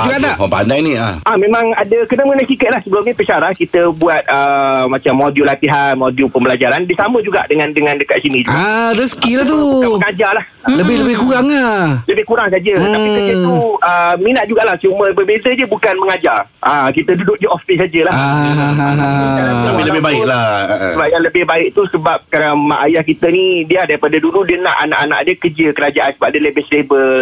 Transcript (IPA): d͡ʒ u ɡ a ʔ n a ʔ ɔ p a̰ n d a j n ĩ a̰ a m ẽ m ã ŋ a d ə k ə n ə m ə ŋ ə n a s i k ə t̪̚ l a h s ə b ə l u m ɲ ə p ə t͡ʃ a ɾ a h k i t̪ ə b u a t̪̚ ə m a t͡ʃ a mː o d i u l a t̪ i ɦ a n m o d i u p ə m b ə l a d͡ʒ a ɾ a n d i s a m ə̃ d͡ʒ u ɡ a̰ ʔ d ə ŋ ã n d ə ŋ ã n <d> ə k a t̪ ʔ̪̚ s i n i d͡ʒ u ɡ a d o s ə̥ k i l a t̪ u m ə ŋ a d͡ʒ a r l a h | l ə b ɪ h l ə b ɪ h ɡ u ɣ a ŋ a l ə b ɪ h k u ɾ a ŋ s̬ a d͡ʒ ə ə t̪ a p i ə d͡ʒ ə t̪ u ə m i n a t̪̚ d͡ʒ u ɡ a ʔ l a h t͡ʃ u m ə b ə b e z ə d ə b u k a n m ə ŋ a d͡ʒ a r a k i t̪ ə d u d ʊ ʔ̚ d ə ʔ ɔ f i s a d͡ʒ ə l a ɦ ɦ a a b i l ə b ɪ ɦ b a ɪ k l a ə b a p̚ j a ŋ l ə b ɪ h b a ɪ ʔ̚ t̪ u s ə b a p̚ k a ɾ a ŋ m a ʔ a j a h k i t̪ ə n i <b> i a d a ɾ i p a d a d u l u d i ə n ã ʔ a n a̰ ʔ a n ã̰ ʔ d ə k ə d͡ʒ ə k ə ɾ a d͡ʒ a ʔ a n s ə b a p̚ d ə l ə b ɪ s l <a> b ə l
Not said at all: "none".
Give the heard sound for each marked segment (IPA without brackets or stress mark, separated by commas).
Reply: d, d, e